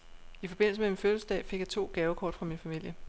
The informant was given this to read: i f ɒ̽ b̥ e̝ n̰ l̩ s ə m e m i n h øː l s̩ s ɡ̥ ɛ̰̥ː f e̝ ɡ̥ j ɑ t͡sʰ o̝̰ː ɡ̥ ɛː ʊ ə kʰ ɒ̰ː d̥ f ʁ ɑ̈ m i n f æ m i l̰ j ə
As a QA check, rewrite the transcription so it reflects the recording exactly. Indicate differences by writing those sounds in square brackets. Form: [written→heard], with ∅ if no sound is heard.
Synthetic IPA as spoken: i f ɒ̽ b̥ e̝ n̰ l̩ s ə m e m i n [h→f] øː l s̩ s [ɡ̥→d̥] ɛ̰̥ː f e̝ ɡ̥ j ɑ t͡sʰ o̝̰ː ɡ̥ ɛː ʊ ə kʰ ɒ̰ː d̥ f ʁ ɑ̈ m i n f æ m i l̰ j ə